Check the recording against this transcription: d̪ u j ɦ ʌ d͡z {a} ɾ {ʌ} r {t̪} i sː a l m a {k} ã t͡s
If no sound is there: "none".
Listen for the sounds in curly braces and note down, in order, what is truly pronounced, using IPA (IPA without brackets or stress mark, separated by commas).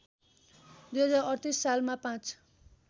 a, ʌ, t̪, p